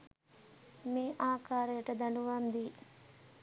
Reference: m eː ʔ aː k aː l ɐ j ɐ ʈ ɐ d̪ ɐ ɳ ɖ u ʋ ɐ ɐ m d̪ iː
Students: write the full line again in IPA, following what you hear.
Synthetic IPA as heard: m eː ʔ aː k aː ɾ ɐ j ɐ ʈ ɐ d̪ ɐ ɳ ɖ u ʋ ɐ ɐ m d̪ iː